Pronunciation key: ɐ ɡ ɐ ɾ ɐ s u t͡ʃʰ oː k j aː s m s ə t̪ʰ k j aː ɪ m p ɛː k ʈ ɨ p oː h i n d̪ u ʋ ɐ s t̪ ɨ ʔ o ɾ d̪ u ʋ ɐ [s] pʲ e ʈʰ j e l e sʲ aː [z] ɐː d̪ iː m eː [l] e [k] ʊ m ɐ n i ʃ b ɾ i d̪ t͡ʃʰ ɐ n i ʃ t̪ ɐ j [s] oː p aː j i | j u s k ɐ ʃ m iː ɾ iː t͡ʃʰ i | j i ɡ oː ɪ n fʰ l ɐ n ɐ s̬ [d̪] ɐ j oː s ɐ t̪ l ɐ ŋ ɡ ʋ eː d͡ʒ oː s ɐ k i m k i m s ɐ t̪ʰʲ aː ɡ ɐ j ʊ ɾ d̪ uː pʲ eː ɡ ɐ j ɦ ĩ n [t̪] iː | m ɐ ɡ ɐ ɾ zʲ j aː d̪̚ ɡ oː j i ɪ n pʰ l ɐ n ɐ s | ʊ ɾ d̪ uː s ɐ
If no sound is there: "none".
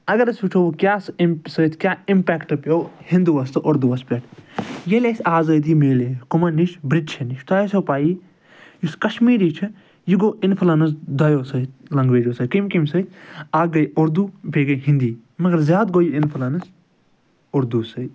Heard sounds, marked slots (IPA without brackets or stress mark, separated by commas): s, z, l, k, s, d̪, d̪